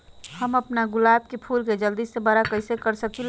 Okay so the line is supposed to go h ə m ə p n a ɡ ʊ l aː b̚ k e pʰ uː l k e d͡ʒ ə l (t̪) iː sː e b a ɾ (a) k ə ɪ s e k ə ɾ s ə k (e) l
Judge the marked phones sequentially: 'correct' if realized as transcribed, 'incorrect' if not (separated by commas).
incorrect, correct, incorrect